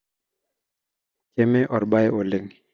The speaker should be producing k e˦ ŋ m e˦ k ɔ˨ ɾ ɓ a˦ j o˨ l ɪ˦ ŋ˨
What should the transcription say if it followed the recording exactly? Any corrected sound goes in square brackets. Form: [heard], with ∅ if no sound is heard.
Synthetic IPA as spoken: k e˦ [∅] m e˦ [ʔ] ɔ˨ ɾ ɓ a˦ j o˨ l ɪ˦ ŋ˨